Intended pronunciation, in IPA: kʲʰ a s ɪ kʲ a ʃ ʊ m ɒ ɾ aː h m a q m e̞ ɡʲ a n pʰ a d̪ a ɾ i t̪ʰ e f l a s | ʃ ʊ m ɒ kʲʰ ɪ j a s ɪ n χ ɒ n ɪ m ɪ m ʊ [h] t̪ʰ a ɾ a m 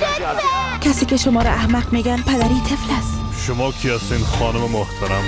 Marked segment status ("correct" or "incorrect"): correct